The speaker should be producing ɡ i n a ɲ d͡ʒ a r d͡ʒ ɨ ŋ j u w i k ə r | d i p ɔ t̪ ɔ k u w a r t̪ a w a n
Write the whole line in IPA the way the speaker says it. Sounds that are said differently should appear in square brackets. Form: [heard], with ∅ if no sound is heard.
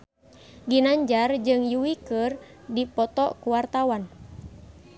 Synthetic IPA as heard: ɡ i n a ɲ d͡ʒ a r d͡ʒ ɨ ŋ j u w i k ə r | d i p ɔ t̪ ɔ k u w a r t̪ a w a n